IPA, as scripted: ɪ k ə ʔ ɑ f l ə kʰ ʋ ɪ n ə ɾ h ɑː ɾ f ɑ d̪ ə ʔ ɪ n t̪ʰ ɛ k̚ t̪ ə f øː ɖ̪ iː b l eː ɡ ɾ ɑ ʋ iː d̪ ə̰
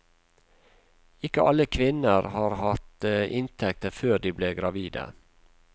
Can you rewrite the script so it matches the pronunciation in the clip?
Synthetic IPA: ɪ k ə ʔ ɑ l ə kʰ ʋ ɪ n ə ɾ h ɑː ɾ h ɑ t̪ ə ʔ ɪ n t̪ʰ ɛ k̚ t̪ ə f øː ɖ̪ iː b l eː ɡ ɾ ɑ ʋ iː d̪ ə̰